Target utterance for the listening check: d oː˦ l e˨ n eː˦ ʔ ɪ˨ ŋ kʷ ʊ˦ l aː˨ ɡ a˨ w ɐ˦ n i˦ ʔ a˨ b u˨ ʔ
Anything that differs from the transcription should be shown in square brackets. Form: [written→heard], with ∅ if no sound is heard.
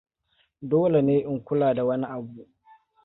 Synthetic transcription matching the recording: d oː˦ l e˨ n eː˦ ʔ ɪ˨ ŋ kʷ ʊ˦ l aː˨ [ɡ→d] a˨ w ɐ˦ n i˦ ʔ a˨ b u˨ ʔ